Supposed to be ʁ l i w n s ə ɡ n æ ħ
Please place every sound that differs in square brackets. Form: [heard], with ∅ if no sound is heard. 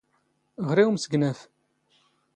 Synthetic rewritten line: ʁ [ɾ] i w [m] s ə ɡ n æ [f]